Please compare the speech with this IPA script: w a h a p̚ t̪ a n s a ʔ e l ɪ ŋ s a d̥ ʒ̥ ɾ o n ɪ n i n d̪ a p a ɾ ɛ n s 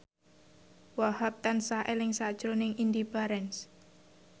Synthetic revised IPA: w a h a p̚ t̪ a n s a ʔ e l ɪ ŋ s a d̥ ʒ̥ ɾ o n ɪ ŋ i n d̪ i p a ɾ ɛ n s